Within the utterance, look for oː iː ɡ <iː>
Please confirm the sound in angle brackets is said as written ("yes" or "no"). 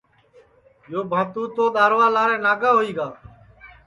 no